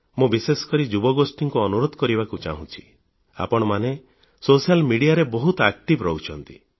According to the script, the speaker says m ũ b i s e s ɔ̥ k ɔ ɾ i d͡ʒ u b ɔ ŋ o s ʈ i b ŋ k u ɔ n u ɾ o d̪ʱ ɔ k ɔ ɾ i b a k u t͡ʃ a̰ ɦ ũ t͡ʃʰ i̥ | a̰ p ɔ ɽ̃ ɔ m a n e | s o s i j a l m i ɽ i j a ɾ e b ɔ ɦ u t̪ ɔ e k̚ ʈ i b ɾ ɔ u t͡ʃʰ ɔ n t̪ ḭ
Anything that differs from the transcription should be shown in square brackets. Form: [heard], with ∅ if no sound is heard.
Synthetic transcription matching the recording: m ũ b i s e s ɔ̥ k ɔ ɾ i d͡ʒ u b ɔ [ɡ] o s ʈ i [∅] ŋ k u ɔ n u ɾ o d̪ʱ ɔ k ɔ ɾ i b a k u t͡ʃ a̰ ɦ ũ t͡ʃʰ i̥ | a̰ p ɔ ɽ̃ ɔ m a n e | s o s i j a l m i ɽ i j a ɾ e b ɔ ɦ u t̪ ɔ [a] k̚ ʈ i b ɾ ɔ u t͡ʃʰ ɔ n t̪ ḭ